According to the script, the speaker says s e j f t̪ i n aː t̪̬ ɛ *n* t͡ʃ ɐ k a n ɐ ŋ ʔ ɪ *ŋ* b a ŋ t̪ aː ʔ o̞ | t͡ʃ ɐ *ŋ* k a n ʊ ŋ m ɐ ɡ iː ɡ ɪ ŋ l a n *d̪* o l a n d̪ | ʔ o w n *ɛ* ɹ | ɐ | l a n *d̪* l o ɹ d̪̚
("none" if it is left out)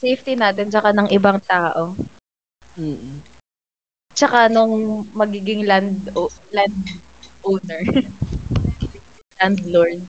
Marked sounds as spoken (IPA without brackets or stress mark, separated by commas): n, none, none, d̪, ɛ, d̪